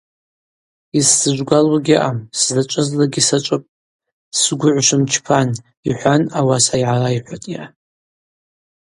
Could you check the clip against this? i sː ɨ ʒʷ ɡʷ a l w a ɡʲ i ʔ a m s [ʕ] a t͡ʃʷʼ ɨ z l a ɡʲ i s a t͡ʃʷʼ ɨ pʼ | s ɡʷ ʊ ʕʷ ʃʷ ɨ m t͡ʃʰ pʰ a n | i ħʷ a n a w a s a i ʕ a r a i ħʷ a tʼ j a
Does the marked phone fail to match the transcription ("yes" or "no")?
yes